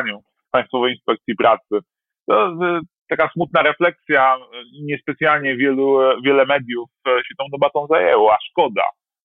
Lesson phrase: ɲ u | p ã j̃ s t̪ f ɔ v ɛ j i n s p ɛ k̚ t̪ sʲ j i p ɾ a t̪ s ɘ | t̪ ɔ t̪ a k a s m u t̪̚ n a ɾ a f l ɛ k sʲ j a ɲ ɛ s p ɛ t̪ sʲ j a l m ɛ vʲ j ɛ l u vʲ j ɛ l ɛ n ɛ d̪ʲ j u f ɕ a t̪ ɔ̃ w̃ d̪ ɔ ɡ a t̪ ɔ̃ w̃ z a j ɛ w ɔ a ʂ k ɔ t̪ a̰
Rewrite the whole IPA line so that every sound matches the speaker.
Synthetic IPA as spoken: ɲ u | p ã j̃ s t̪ f ɔ v ɛ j i n s p ɛ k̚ t̪ sʲ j i p ɾ a t̪ s ɘ | t̪ ɔ t̪ a k a s m u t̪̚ n a ɾ ɛ f l ɛ k sʲ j a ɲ ɛ s p ɛ t̪ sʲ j a l ɲ ɛ vʲ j ɛ l u vʲ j ɛ l ɛ m ɛ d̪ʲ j u f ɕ ɛ t̪ ɔ̃ w̃ d̪ ɔ b a t̪ ɔ̃ w̃ z a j ɛ w ɔ a ʂ k ɔ d̪ a̰